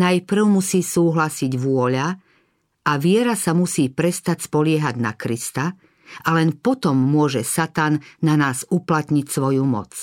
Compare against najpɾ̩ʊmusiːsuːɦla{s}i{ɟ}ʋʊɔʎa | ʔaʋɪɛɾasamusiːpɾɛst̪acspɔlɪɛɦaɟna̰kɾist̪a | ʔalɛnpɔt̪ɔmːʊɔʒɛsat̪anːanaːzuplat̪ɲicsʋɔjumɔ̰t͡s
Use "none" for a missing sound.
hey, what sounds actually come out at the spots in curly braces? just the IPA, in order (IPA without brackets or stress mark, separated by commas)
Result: s, ɟ